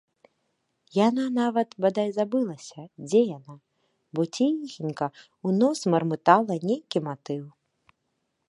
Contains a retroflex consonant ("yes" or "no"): no